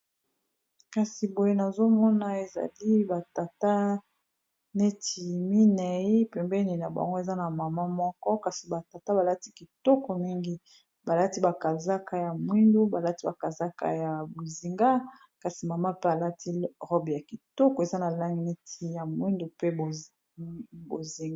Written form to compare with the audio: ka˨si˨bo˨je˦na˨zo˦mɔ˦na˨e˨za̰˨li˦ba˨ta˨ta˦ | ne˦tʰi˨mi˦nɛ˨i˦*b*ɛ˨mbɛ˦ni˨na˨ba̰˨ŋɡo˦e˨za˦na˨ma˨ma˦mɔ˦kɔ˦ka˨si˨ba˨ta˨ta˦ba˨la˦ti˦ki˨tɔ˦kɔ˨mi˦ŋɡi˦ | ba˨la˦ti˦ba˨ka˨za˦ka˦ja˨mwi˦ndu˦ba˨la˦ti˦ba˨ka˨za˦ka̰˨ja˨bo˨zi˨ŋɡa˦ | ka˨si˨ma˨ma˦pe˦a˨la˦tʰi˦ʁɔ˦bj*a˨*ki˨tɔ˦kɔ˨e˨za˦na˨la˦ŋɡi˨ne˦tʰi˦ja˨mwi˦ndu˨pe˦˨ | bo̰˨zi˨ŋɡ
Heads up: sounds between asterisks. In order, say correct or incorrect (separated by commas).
incorrect, correct